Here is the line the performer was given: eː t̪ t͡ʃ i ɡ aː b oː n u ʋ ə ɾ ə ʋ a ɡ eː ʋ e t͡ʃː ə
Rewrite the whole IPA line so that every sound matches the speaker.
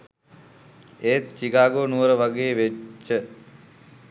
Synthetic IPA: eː t̪ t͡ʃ i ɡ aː ɡ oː n u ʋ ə ɾ ə ʋ a ɡ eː ʋ e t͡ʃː ə